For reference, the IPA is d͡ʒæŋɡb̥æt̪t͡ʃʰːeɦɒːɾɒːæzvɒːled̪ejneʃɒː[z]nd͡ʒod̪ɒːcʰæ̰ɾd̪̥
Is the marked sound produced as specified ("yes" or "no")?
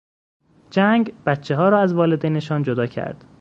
no